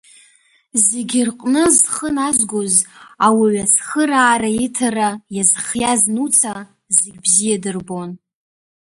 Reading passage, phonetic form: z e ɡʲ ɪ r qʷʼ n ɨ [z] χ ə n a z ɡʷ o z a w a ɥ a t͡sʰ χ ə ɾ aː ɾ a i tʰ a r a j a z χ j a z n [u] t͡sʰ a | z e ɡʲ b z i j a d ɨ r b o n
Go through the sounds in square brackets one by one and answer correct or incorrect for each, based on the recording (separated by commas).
correct, correct